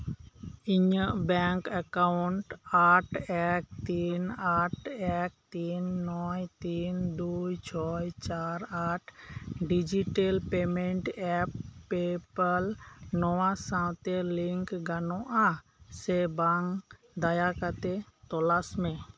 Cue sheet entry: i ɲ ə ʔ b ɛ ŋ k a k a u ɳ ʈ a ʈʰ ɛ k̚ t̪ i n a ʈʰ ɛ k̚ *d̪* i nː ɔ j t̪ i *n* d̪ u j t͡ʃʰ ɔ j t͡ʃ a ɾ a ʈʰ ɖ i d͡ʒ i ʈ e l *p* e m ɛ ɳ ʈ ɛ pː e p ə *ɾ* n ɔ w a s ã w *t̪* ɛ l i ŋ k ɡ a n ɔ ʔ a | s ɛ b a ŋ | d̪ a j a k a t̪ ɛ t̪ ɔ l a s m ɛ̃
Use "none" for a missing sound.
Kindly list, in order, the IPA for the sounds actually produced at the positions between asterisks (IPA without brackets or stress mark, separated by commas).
t̪, n, p, l, t̪